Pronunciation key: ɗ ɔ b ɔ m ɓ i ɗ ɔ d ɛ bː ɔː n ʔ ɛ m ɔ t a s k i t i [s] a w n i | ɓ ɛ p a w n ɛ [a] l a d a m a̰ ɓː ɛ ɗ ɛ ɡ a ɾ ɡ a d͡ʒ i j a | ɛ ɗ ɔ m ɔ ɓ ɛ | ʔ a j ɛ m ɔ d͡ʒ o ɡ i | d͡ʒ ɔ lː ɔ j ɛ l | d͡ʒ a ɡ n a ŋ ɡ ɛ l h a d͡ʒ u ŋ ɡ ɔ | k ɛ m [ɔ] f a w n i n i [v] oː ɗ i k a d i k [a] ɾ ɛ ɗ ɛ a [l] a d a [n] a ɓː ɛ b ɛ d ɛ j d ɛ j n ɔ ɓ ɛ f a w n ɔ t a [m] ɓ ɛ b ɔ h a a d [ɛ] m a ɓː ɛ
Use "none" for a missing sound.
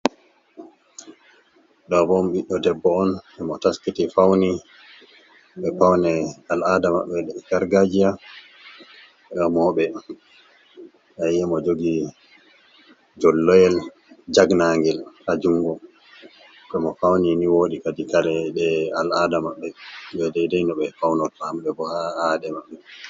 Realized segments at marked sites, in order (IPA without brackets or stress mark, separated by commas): f, a, ɔ, w, a, l, m, m, ɛ